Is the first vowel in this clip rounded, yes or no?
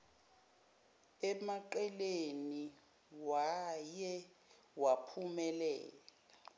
no